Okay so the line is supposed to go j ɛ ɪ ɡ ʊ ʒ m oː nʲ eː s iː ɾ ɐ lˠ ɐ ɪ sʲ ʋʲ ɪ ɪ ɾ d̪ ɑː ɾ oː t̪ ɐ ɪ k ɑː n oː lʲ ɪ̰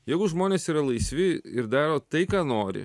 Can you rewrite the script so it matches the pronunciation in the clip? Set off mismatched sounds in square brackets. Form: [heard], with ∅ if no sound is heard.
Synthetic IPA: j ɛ ɪ ɡ ʊ ʒ m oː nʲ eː s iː ɾ ɐ lˠ ɐ ɪ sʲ ʋʲ ɪ ɪ ɾ d̪ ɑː ɾ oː t̪ ɐ ɪ k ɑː n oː [ɾʲ] ɪ̰